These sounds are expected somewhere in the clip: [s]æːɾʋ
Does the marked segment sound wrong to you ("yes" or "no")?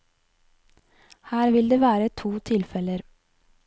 yes